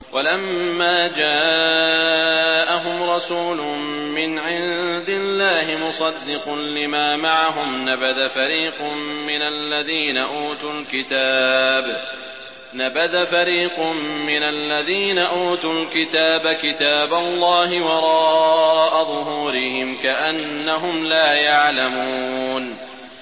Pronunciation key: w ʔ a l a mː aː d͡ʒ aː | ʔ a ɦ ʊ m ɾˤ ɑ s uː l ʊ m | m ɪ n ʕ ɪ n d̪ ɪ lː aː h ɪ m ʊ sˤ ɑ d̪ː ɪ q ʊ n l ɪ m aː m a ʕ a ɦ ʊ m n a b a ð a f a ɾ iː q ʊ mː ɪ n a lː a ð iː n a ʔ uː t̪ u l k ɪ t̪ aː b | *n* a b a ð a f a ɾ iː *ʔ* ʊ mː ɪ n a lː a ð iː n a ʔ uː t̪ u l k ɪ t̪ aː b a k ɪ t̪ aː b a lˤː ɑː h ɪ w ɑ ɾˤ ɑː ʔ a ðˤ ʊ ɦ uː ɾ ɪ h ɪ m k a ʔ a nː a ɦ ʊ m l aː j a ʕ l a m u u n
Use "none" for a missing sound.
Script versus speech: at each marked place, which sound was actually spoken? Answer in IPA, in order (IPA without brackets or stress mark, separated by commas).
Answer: n, q